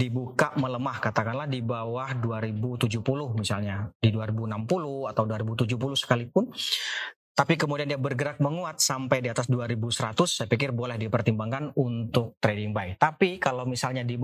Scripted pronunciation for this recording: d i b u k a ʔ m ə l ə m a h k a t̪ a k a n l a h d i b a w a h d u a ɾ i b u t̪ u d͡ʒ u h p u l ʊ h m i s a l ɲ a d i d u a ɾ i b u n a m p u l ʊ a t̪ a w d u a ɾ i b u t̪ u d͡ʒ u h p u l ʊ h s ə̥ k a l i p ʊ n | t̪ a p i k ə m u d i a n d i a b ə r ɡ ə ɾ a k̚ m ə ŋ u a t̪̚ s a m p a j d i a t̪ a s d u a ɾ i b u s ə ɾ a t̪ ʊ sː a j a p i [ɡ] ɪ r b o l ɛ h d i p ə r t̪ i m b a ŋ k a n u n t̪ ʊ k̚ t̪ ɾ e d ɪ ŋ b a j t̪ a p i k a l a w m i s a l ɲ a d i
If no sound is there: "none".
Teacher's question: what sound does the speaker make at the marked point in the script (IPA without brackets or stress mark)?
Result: k